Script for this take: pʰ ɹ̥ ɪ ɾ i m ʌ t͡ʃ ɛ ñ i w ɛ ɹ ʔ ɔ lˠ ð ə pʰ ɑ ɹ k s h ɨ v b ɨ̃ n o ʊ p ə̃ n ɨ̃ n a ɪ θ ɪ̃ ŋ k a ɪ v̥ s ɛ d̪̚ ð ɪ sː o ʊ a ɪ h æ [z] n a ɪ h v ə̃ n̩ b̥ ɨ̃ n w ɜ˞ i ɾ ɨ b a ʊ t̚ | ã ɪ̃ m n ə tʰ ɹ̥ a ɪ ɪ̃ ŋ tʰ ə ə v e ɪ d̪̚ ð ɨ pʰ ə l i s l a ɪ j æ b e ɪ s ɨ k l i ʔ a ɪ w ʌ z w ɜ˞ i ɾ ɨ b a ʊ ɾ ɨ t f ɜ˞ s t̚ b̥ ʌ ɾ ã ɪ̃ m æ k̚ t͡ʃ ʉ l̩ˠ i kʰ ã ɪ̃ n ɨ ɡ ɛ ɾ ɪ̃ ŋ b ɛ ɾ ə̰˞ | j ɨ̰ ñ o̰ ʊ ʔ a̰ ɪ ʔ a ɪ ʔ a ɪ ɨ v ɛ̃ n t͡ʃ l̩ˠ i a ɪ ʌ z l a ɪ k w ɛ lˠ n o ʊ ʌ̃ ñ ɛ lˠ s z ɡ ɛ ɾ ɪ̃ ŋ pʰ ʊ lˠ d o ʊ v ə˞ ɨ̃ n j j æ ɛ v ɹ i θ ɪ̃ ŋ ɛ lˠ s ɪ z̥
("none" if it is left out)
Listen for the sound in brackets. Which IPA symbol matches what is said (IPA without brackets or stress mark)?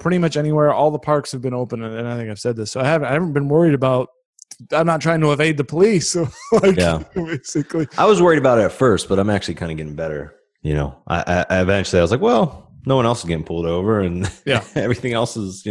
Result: v